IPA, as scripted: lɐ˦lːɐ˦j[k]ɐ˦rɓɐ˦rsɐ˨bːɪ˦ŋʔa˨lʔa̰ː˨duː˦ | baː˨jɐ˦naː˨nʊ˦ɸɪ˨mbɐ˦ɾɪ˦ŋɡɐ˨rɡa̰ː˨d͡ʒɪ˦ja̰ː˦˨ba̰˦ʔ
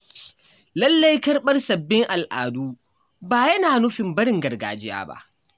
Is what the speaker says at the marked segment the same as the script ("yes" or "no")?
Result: yes